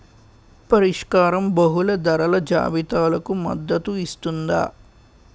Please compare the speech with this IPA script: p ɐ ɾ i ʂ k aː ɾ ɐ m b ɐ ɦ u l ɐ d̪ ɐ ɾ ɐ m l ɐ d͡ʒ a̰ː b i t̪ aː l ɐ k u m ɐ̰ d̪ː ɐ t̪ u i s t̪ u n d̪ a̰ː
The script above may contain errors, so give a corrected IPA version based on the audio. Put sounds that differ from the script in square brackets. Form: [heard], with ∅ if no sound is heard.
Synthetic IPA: p ɐ ɾ i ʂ k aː ɾ ɐ m b ɐ ɦ u l ɐ d̪ ɐ ɾ ɐ [∅] l ɐ d͡ʒ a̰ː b i t̪ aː l ɐ k u m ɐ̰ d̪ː ɐ t̪ u i s t̪ u n d̪ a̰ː